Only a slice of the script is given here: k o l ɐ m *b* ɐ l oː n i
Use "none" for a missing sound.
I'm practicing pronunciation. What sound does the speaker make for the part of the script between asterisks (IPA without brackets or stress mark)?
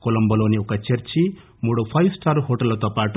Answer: b